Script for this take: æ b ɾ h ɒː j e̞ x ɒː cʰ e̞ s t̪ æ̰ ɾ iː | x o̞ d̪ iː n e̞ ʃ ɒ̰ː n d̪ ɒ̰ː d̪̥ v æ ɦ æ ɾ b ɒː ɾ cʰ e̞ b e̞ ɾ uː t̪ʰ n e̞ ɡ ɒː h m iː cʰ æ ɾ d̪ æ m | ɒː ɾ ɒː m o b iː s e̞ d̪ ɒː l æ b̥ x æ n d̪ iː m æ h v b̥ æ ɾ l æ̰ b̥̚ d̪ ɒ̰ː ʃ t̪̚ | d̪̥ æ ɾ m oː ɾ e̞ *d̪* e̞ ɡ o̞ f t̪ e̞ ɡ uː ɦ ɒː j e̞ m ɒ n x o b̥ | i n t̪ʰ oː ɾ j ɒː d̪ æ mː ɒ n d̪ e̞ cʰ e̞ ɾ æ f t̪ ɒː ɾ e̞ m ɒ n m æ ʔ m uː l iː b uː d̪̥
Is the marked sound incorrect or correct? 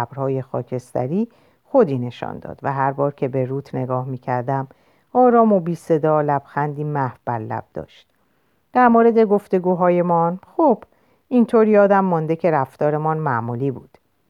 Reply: correct